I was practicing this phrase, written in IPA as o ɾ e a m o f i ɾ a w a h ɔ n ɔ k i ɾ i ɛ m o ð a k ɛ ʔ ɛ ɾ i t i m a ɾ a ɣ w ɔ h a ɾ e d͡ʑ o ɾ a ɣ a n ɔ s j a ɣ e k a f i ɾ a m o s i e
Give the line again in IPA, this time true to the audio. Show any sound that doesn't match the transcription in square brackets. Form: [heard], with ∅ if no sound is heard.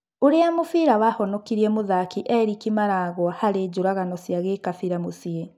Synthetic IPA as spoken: o ɾ e a m o f i ɾ a w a h ɔ n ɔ k i ɾ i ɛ m o ð a k [i] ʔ ɛ ɾ i [k] i m a ɾ a ɣ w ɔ h a ɾ e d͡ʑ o ɾ a ɣ a n ɔ s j a ɣ e k a f i ɾ a m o s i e